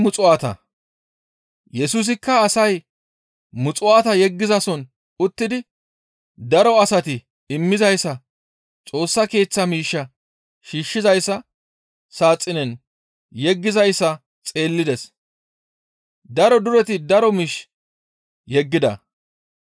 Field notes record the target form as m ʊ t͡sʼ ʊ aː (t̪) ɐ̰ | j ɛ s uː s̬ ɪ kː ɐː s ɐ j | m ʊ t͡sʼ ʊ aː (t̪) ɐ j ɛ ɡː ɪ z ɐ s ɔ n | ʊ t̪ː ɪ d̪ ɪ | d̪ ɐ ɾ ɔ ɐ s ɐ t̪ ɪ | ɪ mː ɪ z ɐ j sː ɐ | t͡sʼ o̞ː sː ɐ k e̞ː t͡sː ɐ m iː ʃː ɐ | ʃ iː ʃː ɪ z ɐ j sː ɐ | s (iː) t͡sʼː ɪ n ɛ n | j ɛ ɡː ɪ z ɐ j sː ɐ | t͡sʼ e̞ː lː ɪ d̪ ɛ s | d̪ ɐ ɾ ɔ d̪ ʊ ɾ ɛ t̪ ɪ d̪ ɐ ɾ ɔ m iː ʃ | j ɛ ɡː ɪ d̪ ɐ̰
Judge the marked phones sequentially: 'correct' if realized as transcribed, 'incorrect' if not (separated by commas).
correct, correct, incorrect